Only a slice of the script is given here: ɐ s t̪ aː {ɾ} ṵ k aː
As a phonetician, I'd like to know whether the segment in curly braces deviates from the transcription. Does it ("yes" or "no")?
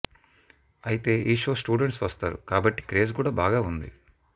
no